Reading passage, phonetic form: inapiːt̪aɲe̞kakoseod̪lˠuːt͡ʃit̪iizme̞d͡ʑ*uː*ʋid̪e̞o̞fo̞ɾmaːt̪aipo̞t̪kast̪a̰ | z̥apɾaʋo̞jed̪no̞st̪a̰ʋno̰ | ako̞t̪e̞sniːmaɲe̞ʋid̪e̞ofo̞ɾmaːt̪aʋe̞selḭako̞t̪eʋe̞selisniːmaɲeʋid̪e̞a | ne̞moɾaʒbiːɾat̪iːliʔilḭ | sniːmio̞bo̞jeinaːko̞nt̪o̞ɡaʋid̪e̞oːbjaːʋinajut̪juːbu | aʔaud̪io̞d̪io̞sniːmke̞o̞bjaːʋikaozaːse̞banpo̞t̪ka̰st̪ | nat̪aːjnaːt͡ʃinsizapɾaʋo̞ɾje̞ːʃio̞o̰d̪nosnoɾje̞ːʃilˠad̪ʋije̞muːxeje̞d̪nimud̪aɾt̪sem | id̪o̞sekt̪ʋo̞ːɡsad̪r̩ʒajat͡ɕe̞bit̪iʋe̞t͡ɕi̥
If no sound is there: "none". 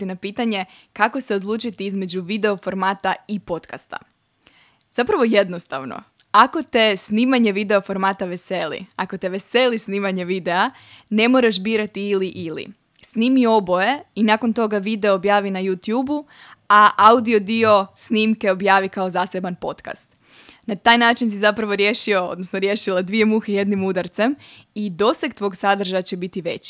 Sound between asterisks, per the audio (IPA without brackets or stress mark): u